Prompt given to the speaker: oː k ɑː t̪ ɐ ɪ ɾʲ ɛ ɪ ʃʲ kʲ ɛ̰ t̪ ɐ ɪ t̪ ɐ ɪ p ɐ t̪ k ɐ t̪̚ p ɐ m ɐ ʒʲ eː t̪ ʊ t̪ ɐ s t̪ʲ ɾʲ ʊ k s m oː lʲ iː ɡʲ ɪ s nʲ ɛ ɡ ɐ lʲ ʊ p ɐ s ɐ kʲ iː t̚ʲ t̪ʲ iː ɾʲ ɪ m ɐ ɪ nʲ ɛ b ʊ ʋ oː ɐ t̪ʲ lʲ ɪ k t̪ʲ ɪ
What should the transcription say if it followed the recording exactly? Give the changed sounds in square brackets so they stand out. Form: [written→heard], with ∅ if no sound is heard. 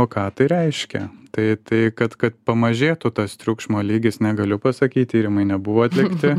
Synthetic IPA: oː k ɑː t̪ ɐ ɪ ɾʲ ɛ ɪ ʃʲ kʲ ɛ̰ t̪ ɐ ɪ t̪ ɐ ɪ [p→k] ɐ t̪ k ɐ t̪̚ p ɐ m ɐ ʒʲ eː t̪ ʊ t̪ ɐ s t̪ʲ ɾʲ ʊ k [s→ʃ] m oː lʲ iː ɡʲ ɪ s nʲ ɛ ɡ ɐ lʲ ʊ p ɐ s ɐ kʲ iː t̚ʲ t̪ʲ iː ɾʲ ɪ m ɐ ɪ nʲ ɛ b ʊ ʋ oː ɐ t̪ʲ lʲ ɪ k t̪ʲ ɪ

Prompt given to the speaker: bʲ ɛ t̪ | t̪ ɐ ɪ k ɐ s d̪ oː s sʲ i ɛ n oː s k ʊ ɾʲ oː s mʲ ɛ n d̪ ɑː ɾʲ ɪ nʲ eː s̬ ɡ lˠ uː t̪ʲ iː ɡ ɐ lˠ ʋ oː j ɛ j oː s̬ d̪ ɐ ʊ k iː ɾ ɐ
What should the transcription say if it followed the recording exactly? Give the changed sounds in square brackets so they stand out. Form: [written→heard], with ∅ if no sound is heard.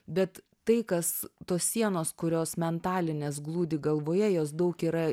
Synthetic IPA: bʲ ɛ t̪ | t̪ ɐ ɪ k ɐ s [d̪→t̪] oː s sʲ i ɛ n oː s k ʊ ɾʲ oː s mʲ ɛ n [d̪→t̪] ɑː [ɾʲ→lʲ] ɪ nʲ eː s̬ ɡ lˠ uː [t̪ʲ→d̪ʲ] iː ɡ ɐ lˠ ʋ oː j ɛ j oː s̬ d̪ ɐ ʊ k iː ɾ ɐ

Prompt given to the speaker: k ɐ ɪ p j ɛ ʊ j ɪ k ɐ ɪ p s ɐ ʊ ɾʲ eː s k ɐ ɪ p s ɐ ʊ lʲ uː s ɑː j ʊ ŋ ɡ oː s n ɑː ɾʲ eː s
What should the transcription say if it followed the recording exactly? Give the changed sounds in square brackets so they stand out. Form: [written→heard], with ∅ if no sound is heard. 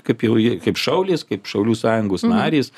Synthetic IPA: k ɐ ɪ p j ɛ ʊ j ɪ k ɐ ɪ p [s→ʃ] ɐ ʊ [ɾʲ→lʲ] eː s k ɐ ɪ p [s→ʃ] ɐ ʊ lʲ uː s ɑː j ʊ ŋ ɡ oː s n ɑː ɾʲ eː s

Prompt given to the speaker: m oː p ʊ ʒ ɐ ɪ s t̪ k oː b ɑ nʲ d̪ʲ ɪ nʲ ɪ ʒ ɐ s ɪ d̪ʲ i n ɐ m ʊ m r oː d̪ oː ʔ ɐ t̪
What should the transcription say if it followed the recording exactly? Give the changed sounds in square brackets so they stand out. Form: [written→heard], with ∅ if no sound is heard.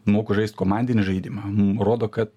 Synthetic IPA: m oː [p→k] ʊ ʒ ɐ ɪ s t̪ k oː [b→m] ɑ nʲ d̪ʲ ɪ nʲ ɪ ʒ ɐ [s→∅] ɪ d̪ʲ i [n→m] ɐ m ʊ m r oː d̪ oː [ʔ→k] ɐ t̪

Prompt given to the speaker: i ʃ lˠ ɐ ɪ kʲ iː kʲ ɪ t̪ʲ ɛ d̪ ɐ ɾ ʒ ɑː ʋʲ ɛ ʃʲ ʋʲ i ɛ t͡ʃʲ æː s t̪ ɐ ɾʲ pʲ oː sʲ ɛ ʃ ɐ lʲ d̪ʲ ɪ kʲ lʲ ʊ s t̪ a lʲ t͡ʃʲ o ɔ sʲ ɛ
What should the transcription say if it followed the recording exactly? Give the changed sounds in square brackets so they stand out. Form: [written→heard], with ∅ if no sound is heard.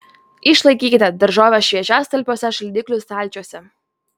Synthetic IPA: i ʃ lˠ ɐ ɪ kʲ iː kʲ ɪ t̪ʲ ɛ d̪ ɐ ɾ ʒ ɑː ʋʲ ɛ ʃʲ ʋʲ i ɛ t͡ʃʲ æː s t̪ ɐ [ɾʲ→lʲ] pʲ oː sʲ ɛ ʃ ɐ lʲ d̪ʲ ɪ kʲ lʲ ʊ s t̪ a lʲ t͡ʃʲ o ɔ sʲ ɛ

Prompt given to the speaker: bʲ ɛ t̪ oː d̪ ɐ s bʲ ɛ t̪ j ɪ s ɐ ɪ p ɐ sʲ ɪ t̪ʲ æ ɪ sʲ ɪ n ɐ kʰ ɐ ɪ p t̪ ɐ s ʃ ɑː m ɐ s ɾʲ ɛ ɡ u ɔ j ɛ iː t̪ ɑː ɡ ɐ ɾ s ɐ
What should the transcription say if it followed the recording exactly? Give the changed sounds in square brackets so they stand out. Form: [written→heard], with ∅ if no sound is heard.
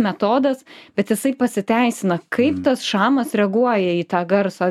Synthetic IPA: [bʲ→mʲ] ɛ t̪ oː d̪ ɐ s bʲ ɛ t̪ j ɪ s ɐ ɪ p ɐ sʲ ɪ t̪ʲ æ ɪ sʲ ɪ n ɐ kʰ ɐ ɪ p t̪ ɐ s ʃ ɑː m ɐ s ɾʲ ɛ ɡ u ɔ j ɛ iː t̪ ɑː ɡ ɐ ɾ s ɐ

